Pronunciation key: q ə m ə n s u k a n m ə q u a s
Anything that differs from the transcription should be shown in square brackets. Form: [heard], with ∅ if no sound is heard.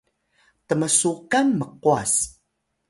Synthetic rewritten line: [t] ə m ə [∅] s u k a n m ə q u a s